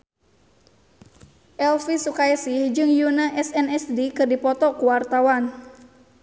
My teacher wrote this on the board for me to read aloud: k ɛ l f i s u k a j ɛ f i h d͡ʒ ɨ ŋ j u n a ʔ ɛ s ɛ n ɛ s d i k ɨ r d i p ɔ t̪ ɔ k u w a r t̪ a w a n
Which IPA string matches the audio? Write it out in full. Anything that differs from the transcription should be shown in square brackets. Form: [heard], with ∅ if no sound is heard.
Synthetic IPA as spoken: [ʔ] ɛ l f i s u k a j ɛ [s] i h d͡ʒ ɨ ŋ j u n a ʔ ɛ s ɛ n ɛ s d i k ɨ r d i p ɔ t̪ ɔ k u w a r t̪ a w a n